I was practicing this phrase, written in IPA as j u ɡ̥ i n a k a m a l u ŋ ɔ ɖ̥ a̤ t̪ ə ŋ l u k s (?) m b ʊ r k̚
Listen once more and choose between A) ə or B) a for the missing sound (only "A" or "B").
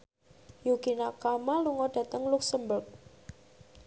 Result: A